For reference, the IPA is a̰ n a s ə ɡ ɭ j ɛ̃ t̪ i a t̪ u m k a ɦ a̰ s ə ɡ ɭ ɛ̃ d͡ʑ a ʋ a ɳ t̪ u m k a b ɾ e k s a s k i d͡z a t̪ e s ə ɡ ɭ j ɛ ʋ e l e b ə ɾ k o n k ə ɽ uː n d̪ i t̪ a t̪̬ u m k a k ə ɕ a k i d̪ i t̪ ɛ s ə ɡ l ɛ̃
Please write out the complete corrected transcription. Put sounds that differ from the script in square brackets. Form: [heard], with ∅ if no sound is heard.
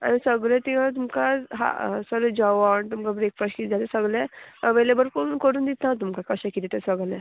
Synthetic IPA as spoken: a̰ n [i] s ə ɡ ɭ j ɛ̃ t̪ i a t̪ u m k a ɦ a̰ s ə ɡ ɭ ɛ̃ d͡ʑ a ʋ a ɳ t̪ u m k a b ɾ e k [f] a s k i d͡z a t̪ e s ə ɡ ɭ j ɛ ʋ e l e b ə ɾ k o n k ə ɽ uː n d̪ i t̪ a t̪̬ u m k a k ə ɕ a k i [t̪] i t̪ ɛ s ə ɡ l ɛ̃